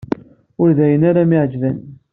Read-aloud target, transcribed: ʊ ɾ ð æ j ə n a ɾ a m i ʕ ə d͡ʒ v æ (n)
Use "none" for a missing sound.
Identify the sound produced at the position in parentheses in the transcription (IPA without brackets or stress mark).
n